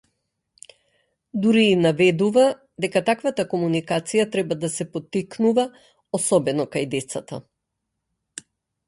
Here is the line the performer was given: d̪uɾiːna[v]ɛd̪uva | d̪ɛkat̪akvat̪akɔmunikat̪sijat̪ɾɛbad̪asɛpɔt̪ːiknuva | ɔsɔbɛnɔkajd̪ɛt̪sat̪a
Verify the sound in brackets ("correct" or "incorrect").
correct